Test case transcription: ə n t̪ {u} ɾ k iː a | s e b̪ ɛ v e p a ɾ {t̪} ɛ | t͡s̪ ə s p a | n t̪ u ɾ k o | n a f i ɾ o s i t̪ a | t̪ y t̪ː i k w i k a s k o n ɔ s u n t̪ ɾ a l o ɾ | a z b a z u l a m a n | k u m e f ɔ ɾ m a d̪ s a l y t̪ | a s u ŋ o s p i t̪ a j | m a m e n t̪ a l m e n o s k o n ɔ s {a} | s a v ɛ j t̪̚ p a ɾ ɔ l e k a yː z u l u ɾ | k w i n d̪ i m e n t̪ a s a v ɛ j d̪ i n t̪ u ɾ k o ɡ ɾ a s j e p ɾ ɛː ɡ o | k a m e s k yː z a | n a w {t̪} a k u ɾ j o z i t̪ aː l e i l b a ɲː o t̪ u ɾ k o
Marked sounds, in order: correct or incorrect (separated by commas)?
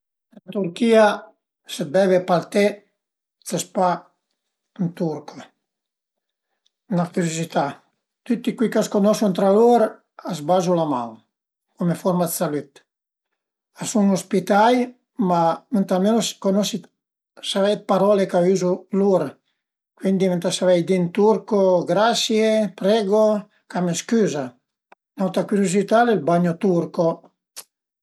correct, correct, incorrect, correct